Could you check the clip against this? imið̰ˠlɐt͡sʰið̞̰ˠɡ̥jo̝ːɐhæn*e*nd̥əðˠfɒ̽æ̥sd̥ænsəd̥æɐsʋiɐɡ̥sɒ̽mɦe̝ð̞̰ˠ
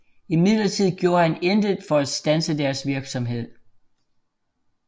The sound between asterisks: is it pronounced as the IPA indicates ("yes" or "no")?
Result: yes